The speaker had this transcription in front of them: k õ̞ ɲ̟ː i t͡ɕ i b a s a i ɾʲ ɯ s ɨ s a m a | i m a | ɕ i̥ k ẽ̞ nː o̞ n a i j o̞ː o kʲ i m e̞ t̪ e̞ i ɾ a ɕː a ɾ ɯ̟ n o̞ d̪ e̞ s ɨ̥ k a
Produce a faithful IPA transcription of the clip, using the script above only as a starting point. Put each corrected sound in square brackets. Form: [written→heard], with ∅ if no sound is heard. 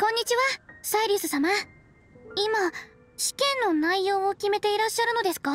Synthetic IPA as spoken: k õ̞ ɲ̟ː i t͡ɕ i [b→β] a s a i ɾʲ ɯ s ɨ s a m a | i m a | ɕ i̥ k ẽ̞ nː o̞ n a i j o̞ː o kʲ i m e̞ t̪ e̞ i ɾ a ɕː a ɾ ɯ̟ n o̞ d̪ e̞ s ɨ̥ k a